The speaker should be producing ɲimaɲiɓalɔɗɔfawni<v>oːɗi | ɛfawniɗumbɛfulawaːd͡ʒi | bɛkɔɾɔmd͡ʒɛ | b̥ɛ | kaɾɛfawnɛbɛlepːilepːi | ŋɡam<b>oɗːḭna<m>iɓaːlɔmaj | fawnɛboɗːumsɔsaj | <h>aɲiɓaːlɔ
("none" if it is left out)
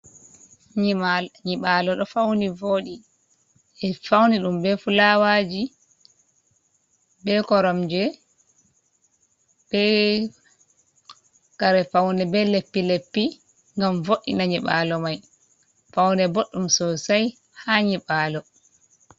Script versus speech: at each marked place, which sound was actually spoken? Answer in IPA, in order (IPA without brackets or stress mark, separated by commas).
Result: v, v, ɲ, h